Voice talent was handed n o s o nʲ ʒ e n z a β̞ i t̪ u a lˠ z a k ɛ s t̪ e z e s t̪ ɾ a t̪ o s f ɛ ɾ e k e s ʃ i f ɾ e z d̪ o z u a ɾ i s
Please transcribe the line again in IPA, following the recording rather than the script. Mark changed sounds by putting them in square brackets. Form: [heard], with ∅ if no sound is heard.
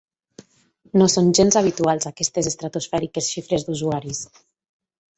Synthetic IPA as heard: n o s o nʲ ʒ e n z a β̞ i t̪ u a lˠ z a k ɛ s t̪ e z e s t̪ ɾ a t̪ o s f ɛ ɾ [i] k e s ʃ i f ɾ e z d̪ [u] z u a ɾ i s